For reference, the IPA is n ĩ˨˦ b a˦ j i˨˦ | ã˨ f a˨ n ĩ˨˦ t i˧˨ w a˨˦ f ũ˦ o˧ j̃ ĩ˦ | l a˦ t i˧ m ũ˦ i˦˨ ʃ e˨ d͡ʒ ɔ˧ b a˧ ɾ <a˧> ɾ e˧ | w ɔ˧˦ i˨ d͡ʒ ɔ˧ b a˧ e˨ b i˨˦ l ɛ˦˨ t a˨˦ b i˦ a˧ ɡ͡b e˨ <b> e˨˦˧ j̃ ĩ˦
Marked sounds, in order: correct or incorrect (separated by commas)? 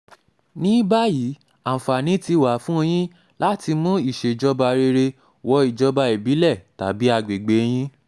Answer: incorrect, incorrect